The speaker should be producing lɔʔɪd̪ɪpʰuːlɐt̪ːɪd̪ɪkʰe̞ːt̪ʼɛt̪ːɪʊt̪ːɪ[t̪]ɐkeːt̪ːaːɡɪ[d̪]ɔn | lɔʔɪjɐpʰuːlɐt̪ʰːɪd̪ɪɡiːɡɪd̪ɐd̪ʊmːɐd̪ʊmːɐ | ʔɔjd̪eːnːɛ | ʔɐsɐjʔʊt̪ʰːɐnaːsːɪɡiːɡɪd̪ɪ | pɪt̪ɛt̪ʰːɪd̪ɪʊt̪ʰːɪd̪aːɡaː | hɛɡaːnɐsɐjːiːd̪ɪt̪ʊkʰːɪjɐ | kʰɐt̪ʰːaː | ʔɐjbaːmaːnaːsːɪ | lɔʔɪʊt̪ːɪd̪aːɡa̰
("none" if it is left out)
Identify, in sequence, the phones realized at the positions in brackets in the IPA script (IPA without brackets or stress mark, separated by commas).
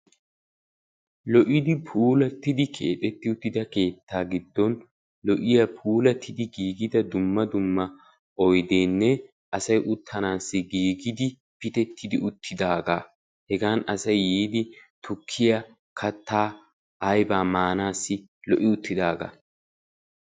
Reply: d̪, d̪ː